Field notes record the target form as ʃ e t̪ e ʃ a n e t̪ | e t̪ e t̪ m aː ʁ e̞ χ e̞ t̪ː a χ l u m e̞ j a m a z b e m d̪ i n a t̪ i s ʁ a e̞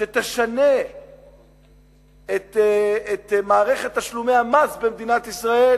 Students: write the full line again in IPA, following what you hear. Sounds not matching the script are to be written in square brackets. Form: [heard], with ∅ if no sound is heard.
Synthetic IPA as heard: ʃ e t̪ e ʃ a n e [∅] | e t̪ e t̪ m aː ʁ e̞ χ e̞ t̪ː a [ʃ] l u m e̞ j a m a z b e m d̪ i n a t̪ i s ʁ a e̞

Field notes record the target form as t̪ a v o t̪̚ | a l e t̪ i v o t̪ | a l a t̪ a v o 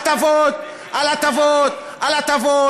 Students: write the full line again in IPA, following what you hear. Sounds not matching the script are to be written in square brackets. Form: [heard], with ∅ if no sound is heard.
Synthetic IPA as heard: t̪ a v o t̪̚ | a l [a] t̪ [a] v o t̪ | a l a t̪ a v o

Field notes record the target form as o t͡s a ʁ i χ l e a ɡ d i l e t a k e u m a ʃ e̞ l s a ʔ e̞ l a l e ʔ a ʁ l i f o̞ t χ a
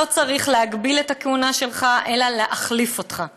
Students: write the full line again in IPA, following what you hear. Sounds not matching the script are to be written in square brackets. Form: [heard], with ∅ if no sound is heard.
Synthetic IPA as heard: o t͡s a ʁ i χ l e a ɡ [b] i l e t a k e u [n] a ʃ e̞ l [χ] a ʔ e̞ l a l e ʔ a [χ] l i f o̞ t χ a

